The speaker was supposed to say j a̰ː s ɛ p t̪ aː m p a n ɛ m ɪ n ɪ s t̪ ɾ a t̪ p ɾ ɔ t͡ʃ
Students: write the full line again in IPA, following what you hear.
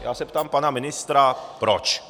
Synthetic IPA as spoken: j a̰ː s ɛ p t̪ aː m p a n a m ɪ n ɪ s t̪ ɾ a p ɾ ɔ t͡ʃ